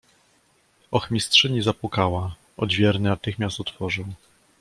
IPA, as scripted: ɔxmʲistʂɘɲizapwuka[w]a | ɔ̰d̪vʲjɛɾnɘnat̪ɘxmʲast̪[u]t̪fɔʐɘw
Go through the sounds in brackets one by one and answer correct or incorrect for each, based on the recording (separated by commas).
correct, incorrect